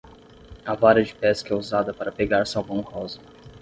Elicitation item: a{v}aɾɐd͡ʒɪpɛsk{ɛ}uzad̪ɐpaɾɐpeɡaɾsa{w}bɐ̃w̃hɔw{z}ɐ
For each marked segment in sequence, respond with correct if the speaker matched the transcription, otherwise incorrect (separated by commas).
correct, correct, correct, correct